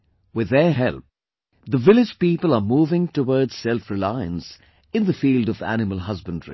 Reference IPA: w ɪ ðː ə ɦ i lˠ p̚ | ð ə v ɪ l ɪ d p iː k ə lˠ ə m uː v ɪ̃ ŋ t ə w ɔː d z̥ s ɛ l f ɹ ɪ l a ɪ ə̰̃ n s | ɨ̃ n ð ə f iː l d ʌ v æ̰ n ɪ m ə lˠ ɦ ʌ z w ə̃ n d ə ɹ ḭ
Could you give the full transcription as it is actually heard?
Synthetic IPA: w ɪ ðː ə ɦ ɛ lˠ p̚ | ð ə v ɪ l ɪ d͡ʒ p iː p ə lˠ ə m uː v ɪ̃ ŋ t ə w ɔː d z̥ s ɛ l f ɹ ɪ l a ɪ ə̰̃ n s | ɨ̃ n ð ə f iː l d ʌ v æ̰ n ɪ m ə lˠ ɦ ʌ z b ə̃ n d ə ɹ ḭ

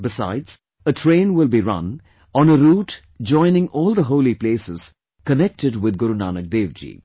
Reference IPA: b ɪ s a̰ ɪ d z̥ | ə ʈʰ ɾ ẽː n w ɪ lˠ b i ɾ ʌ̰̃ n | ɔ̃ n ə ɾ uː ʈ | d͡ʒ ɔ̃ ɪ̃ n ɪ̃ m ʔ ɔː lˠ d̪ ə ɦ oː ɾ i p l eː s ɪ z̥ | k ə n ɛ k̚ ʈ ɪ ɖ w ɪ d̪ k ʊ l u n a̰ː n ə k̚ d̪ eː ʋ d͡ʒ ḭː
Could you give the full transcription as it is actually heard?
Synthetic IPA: b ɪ s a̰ ɪ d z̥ | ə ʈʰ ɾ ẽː n w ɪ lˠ b i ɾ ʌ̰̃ n | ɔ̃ n ə ɾ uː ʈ | d͡ʒ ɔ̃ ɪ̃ n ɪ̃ ŋ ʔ ɔː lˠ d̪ ə ɦ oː l i p l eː s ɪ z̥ | k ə n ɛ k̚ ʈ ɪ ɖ w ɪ d̪ ɡ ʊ ɾ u n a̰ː n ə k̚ d̪ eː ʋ d͡ʒ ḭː

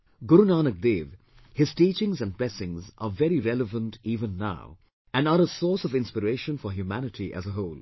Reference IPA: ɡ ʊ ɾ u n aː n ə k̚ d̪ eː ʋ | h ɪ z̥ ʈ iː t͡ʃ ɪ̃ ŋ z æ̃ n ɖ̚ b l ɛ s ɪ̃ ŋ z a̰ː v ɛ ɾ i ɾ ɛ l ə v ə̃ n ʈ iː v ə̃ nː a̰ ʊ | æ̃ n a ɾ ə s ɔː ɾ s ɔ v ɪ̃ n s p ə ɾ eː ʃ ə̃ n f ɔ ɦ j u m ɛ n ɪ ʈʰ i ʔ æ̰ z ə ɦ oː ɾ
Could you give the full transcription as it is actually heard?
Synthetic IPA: ɡ ʊ ɾ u n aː n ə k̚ d̪ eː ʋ | h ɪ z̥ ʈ iː t͡ʃ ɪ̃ ŋ z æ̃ n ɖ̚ b l ɛ s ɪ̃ ŋ z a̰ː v ɛ ɾ i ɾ ɛ l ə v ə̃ n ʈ iː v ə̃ nː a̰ ʊ | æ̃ n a ɾ ə s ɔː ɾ s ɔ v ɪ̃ n s p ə ɾ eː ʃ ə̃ n f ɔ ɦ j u m æ n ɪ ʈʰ i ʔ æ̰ z ə ɦ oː l

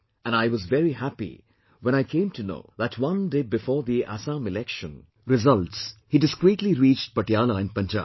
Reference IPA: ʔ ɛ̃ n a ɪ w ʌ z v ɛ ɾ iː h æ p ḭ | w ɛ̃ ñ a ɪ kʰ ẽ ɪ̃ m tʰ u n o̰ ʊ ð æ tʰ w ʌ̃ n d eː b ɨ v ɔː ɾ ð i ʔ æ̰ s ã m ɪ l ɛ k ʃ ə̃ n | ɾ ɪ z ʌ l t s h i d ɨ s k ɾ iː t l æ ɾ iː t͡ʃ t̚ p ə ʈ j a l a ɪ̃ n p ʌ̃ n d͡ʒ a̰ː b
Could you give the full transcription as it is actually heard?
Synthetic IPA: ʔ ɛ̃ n a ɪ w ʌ z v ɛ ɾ i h æ p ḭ | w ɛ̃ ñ a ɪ kʰ ẽ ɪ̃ m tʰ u n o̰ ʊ ð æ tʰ w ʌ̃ n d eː b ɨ f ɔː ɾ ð i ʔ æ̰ s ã m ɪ l ɛ k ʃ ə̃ n | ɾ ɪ z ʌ l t s h i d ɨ s k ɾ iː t l i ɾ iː t͡ʃ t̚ p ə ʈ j a l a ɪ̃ n p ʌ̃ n d͡ʒ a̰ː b

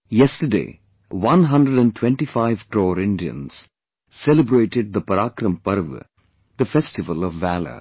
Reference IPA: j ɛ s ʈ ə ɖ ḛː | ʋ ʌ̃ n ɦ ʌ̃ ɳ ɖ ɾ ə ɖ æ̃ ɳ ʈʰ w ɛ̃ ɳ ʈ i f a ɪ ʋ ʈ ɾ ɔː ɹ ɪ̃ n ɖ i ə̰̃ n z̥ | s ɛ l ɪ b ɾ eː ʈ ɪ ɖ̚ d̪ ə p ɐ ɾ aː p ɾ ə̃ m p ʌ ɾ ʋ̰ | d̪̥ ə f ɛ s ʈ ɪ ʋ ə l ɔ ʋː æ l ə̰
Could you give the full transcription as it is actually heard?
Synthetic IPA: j ɛ s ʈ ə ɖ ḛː | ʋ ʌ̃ n ɦ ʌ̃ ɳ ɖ ɾ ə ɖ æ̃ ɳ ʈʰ w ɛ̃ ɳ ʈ i f a ɪ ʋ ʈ ɾ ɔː ɾ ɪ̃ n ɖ i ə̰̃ n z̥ | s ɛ l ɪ b ɾ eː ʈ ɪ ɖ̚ d̪ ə p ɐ ɾ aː k ɾ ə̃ m p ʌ ɾ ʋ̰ | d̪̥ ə f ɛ s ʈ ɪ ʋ ə l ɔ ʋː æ l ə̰

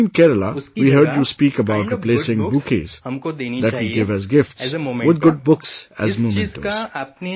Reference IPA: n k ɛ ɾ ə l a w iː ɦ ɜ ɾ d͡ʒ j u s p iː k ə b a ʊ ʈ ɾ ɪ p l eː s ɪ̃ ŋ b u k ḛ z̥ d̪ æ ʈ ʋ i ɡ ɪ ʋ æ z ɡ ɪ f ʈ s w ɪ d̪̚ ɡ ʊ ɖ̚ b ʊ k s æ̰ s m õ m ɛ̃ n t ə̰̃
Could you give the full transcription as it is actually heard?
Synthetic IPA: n k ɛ ɾ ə l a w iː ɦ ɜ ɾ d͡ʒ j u s p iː k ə b a ʊ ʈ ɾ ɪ p l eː s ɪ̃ ŋ b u k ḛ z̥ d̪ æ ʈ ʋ i ɡ ɪ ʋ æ z ɡ ɪ f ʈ s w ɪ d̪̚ ɡ ʊ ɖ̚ b ʊ k s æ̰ z m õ m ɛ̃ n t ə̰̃

